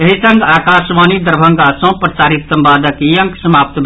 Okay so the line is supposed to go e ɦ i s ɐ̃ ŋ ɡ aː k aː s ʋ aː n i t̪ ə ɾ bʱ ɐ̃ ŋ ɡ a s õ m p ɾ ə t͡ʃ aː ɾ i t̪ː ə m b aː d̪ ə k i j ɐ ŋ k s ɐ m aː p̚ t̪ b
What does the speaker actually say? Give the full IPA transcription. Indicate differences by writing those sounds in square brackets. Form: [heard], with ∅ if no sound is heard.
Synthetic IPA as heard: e ɦ i s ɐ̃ ŋ ɡ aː k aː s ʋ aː n i [d̪] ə ɾ bʱ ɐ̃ ŋ ɡ a s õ [∅] p ɾ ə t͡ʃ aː ɾ i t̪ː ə m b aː d̪ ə k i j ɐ ŋ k s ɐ m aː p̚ t̪ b